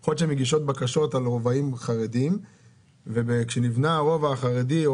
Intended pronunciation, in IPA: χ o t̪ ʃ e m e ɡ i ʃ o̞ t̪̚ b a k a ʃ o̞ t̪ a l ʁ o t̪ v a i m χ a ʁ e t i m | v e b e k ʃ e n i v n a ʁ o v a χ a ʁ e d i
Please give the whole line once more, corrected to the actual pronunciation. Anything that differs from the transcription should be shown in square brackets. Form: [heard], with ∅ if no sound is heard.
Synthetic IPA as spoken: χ o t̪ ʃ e m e ɡ i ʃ o̞ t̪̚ b a k a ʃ o̞ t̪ a l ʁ o [∅] v a i m χ a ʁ e [d] i m | v e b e k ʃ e n i v n a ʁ o v a χ a ʁ e d i